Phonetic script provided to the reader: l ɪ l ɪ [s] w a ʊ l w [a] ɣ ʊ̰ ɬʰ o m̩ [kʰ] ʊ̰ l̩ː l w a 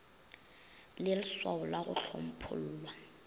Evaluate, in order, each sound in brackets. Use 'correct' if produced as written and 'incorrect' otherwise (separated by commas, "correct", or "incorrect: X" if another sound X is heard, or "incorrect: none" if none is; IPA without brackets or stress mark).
correct, correct, incorrect: pʰ